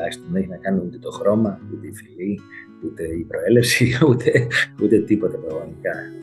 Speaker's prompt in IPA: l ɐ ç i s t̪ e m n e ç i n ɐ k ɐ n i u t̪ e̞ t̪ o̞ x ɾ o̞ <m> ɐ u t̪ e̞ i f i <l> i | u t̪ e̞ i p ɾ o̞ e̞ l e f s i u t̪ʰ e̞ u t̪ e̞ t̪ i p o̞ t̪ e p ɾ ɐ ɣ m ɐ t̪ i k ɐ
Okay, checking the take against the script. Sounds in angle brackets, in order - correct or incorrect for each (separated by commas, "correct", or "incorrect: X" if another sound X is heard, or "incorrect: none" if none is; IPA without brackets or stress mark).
correct, correct